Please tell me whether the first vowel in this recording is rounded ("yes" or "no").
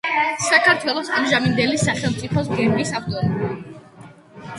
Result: no